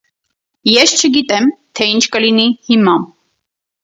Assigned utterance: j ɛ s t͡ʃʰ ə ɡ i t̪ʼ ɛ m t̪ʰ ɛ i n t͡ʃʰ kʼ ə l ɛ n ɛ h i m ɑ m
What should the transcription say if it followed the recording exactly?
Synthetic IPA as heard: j ɛ s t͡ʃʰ ə ɡ i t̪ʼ ɛ m t̪ʰ ɛ i n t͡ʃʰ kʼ ə l i n i h i m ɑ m